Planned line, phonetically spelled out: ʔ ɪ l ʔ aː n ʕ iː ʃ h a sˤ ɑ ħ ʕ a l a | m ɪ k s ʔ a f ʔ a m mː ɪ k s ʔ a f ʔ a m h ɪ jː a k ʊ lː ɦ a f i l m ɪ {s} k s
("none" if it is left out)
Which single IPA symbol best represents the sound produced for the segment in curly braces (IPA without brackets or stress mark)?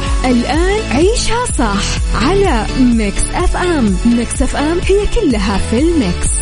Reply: none